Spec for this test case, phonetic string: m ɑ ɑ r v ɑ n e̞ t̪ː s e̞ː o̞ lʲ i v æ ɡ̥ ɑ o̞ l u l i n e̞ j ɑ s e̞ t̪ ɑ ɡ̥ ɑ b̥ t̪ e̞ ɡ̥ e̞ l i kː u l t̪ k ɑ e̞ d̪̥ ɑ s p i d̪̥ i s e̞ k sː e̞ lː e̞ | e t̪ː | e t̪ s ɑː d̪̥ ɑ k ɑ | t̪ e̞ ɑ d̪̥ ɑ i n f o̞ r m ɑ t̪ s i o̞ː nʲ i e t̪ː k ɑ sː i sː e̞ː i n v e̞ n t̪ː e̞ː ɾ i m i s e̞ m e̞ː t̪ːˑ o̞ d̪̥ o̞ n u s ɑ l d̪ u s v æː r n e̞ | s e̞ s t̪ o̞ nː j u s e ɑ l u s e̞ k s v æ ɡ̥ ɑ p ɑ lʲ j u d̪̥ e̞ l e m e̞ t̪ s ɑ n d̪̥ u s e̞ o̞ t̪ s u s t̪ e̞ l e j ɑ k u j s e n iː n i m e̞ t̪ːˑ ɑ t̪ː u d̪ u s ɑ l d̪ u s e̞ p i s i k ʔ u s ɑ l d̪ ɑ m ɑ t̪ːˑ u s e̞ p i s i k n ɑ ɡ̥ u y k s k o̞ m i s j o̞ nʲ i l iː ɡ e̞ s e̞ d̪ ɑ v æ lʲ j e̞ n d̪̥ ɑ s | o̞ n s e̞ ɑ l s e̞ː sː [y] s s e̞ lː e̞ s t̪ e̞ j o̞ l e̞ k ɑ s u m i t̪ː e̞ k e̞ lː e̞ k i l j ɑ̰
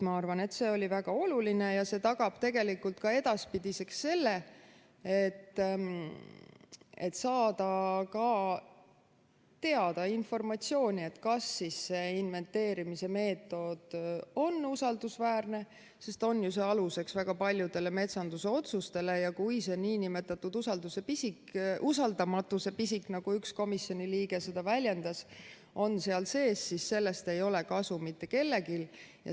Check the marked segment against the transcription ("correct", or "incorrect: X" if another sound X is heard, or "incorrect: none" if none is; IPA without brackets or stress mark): incorrect: i